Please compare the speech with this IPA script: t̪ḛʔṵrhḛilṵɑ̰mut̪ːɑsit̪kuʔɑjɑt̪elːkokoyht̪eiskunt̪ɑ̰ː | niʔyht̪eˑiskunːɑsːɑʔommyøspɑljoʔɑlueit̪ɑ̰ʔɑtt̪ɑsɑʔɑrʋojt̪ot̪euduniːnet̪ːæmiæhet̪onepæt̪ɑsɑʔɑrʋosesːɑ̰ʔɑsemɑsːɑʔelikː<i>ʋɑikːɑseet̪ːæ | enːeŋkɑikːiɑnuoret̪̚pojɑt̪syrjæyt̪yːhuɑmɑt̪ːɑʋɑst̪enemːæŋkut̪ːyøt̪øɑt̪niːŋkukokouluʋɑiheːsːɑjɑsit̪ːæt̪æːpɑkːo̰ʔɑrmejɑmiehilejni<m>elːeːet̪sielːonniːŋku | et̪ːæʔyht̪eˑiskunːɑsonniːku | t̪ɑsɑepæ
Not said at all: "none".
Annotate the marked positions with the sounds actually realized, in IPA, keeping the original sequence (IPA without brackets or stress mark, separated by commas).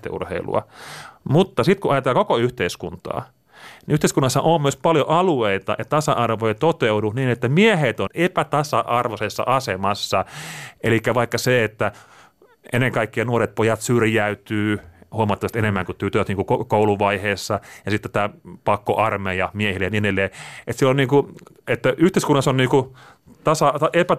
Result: æ, n